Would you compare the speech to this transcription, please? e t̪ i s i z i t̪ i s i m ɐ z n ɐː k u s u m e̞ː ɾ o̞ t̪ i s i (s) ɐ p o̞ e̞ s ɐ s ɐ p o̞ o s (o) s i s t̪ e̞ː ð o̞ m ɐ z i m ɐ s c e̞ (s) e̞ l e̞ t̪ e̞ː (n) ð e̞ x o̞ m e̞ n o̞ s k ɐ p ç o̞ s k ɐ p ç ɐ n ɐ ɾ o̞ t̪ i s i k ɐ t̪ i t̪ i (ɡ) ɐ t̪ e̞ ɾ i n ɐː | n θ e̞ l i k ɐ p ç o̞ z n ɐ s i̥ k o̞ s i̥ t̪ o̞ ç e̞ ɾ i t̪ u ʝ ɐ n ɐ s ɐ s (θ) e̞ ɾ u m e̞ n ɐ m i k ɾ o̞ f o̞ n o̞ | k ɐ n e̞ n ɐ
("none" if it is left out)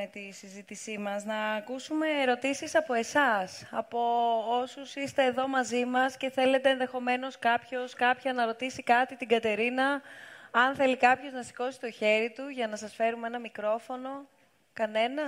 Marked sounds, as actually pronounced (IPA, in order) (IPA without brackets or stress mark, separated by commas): s, u, θ, n, ɡ, f